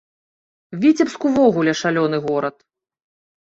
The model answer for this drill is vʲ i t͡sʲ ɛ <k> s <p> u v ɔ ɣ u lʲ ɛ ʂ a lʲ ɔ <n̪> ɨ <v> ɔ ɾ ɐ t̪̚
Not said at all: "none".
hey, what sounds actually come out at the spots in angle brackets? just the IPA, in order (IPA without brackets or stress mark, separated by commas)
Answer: p, k, n̪, ɣ